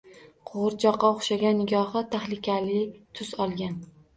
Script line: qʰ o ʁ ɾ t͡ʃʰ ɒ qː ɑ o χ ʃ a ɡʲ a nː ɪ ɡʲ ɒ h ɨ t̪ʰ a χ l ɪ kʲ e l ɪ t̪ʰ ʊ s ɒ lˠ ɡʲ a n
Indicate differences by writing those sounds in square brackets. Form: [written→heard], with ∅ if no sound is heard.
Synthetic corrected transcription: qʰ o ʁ ɾ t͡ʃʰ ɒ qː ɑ o χ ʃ a ɡʲ a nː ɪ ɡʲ ɒ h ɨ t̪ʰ a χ l ɪ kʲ [e→a] l ɪ t̪ʰ ʊ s ɒ lˠ ɡʲ a n